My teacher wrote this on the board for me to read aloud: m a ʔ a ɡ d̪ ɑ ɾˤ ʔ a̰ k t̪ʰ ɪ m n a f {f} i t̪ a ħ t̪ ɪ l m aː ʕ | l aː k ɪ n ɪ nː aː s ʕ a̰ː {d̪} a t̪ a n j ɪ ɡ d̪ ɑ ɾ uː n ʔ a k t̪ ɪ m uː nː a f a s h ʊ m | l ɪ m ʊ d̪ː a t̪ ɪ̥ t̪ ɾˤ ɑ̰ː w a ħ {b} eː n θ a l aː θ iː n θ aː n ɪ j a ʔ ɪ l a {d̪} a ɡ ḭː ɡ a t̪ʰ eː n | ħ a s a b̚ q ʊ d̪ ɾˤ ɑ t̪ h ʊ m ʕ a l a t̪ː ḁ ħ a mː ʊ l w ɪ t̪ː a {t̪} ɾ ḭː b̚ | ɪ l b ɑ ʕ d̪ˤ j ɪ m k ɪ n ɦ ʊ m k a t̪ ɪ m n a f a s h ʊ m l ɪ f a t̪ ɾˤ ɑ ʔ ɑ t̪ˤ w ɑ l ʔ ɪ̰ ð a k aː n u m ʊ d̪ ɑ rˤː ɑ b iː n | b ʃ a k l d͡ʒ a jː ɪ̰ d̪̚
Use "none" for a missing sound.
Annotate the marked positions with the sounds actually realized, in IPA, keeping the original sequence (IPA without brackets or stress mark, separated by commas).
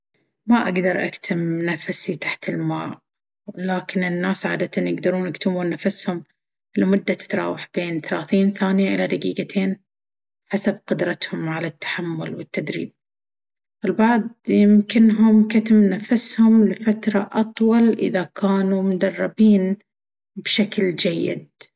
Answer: s, d̪, b, d̪, d̪